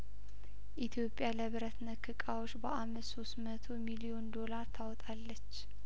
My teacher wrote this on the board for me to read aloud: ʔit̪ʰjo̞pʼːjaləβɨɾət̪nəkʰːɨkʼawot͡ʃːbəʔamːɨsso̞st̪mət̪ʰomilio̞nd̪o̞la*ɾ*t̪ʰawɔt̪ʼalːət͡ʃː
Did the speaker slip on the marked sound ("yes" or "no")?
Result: no